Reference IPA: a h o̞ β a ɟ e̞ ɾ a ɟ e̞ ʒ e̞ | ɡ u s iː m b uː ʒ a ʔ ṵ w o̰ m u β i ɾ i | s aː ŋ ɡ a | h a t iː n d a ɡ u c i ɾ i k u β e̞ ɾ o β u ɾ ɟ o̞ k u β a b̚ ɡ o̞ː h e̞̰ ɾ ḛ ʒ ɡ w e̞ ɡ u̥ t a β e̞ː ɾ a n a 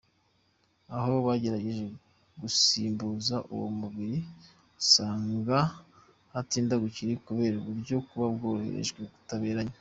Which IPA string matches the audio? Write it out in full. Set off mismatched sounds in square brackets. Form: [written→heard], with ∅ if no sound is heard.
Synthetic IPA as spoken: a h o̞ β a ɟ e̞ ɾ a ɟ e̞ ʒ e̞ | ɡ u s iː m b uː [ʒ→z] a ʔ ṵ w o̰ m u β i ɾ i | s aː ŋ ɡ a | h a t iː n d a ɡ u c i ɾ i k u β e̞ ɾ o β u ɾ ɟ o̞ k u β a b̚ ɡ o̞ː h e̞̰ ɾ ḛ ʒ ɡ w e̞ ɡ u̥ t a β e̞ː ɾ a [n→ɲ] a